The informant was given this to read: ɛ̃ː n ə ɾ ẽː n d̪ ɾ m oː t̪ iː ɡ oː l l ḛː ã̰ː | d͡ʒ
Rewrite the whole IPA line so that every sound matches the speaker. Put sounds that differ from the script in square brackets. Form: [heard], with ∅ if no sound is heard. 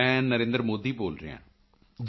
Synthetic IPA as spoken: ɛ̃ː n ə ɾ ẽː n d̪ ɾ m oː [d̪] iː [b] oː l [ɾ] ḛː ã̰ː | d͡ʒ